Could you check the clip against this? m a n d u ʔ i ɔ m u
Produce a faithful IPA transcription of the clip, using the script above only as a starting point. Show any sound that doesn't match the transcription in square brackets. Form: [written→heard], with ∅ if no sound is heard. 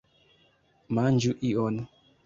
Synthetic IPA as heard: m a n [d→d͡ʒ] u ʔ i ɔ [m→n] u